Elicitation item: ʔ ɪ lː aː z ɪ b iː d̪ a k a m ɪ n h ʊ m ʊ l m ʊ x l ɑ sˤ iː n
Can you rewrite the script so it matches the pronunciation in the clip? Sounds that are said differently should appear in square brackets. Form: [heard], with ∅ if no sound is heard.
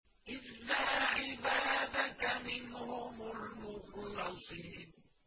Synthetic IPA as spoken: ʔ ɪ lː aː [ʕ] ɪ b [aː] d̪ a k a m ɪ n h ʊ m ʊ l m ʊ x l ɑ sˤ iː n